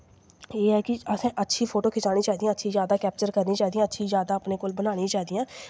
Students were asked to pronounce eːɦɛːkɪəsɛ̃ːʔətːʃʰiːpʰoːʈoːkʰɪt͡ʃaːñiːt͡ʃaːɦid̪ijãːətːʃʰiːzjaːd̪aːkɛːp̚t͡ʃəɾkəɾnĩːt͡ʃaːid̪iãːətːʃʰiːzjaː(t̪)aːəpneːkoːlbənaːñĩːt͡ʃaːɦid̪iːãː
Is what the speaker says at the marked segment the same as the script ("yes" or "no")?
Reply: no